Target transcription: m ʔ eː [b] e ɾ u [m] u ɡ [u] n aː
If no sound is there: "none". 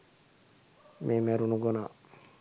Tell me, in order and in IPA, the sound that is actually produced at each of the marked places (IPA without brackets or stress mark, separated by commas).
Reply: m, n, o